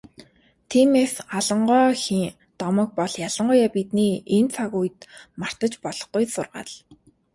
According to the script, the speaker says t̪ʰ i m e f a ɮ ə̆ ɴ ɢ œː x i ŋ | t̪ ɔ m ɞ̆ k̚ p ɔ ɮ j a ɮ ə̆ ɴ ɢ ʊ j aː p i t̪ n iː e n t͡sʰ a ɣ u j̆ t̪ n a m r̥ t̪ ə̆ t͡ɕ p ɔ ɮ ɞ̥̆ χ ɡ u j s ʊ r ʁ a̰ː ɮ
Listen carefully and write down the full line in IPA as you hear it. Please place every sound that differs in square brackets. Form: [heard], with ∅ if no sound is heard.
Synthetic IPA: t̪ʰ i m e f a ɮ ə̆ ɴ ɢ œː x i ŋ | t̪ ɔ m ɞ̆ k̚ p ɔ ɮ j a ɮ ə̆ ɴ ɢ ʊ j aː p i t̪ n iː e n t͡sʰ a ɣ u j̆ t̪ [m] a [∅] r̥ t̪ ə̆ t͡ɕ p ɔ ɮ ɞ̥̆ χ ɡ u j s ʊ r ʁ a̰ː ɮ